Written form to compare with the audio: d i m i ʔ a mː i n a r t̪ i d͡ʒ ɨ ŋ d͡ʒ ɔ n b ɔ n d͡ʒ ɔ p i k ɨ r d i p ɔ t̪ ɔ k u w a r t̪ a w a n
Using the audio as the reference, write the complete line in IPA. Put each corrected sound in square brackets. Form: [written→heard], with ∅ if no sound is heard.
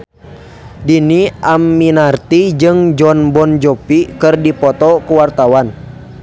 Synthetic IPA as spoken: d i [m→n] i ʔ a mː i n a r t̪ i d͡ʒ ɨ ŋ d͡ʒ ɔ n b ɔ n d͡ʒ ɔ p i k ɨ r d i p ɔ t̪ ɔ k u w a r t̪ a w a n